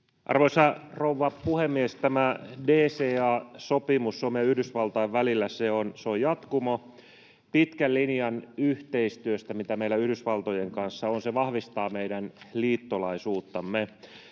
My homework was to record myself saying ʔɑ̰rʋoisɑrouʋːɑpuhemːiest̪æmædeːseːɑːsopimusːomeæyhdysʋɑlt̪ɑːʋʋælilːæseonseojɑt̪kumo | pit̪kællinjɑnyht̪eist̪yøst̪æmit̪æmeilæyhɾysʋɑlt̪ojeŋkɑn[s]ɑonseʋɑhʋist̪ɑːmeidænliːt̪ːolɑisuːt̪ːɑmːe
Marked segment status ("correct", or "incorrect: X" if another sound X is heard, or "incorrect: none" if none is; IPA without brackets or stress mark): incorrect: sː